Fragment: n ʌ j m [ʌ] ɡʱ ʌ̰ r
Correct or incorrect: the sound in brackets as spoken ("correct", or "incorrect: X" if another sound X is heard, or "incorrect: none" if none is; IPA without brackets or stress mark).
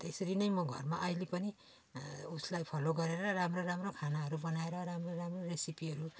correct